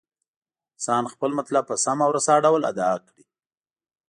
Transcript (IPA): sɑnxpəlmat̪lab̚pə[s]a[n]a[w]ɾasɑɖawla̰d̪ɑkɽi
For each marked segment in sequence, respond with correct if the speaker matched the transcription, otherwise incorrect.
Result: correct, incorrect: m, correct

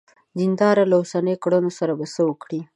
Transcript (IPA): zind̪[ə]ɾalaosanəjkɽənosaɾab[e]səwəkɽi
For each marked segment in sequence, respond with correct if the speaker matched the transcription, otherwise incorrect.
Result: incorrect: ɑ, incorrect: a

